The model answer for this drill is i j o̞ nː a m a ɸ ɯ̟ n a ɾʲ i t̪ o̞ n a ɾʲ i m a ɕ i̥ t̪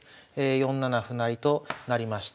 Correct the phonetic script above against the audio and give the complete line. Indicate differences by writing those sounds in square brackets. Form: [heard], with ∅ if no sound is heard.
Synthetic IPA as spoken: [e] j [õ̞] nː a [n] a ɸ ɯ̟ n a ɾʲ i t̪ o̞ n a ɾʲ i m a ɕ i̥ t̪